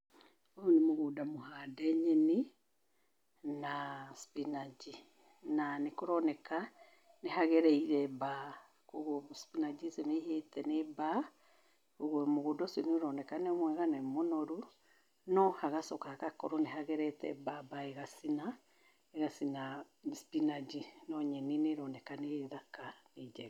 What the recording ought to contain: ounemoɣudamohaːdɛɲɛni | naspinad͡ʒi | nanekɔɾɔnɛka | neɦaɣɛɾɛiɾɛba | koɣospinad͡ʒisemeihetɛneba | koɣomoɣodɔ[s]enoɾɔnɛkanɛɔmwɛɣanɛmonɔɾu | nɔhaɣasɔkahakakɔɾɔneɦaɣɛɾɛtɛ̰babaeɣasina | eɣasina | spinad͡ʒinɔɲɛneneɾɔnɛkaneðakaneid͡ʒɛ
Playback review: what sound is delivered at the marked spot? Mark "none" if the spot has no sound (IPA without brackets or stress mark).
s